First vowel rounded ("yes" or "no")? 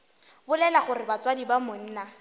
yes